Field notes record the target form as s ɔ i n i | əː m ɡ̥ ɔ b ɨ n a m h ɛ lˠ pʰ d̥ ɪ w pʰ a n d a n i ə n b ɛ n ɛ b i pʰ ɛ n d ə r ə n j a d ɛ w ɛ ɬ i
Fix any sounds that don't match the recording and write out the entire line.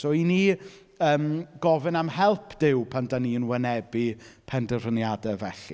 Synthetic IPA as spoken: s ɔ i n i | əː m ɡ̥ ɔ v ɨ n a m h ɛ lˠ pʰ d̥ ɪ w pʰ a n d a n i ə n w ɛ n ɛ b i pʰ ɛ n d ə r ə n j a d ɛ v ɛ ɬ i